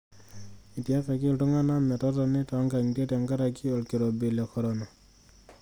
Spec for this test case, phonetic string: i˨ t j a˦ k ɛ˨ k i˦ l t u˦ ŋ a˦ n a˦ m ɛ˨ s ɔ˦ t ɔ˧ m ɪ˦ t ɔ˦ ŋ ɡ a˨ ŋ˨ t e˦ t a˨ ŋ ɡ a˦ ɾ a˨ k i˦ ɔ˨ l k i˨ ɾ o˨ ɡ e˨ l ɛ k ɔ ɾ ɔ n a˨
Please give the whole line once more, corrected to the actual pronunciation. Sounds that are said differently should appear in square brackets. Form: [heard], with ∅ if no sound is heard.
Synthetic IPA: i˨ t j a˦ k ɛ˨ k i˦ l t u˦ ŋ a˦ n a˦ m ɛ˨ [t] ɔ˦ t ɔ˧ [n] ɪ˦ t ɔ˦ ŋ ɡ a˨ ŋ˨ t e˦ t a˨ ŋ ɡ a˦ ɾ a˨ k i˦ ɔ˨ l k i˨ ɾ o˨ [b] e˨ l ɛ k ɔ ɾ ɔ n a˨